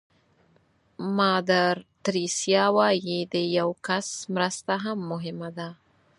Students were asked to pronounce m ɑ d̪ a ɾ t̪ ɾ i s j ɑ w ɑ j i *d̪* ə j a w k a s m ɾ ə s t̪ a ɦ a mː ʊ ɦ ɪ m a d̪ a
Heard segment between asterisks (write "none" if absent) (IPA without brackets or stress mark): d̪